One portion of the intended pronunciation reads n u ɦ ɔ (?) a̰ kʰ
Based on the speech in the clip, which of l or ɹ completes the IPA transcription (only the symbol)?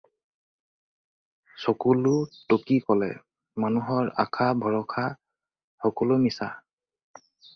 ɹ